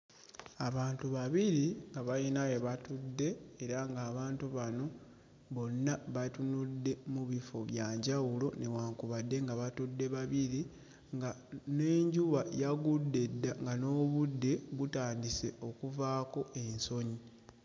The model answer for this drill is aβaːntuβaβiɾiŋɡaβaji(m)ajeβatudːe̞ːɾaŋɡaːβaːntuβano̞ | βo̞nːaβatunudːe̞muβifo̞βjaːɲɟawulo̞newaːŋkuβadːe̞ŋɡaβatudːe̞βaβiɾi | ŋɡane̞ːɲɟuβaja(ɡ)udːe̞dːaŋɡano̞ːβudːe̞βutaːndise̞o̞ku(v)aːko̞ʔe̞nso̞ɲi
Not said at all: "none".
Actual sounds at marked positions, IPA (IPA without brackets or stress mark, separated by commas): n, ɡ, v